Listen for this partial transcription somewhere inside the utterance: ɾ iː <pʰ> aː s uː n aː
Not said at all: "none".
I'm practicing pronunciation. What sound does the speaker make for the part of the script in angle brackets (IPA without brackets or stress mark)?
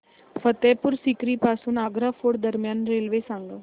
p